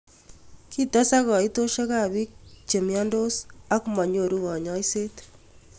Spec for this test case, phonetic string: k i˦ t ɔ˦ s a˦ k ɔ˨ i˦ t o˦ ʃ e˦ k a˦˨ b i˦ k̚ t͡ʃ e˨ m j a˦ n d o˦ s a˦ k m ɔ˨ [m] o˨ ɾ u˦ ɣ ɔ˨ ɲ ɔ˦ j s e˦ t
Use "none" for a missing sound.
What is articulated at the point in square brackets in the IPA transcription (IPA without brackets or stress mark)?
ɲ